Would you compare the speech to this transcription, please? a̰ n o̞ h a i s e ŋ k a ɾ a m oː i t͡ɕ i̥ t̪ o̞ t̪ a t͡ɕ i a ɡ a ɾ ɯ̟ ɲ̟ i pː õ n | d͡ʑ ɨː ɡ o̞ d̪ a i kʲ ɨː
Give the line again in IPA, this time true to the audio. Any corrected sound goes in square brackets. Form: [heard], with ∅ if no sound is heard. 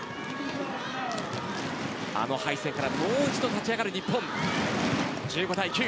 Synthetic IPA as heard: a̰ n o̞ h a i s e ŋ k a ɾ a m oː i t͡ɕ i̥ t̪ o̞ t̪ a t͡ɕ i a ɡ a ɾ ɯ̟ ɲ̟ i pː õ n | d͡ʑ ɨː ɡ o̞ d̪ a i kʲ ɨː